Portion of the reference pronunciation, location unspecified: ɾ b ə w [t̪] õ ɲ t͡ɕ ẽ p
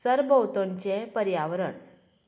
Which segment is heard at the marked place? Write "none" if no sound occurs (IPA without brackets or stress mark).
t̪